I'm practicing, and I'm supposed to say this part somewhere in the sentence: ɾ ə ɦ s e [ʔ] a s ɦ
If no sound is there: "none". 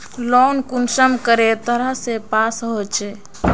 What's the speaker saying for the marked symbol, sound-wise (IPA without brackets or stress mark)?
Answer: p